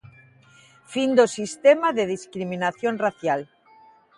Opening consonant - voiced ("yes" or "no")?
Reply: no